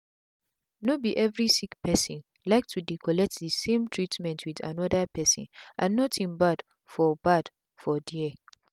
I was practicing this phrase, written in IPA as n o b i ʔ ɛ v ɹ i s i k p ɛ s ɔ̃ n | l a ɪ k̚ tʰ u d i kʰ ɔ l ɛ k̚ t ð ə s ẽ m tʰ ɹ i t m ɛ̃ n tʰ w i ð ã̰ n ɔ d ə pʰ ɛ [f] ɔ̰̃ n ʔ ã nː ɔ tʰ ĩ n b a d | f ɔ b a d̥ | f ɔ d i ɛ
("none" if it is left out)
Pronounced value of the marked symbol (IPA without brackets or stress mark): s